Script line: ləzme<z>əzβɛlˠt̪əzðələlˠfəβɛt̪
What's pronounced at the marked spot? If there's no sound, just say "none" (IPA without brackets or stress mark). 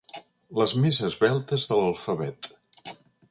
z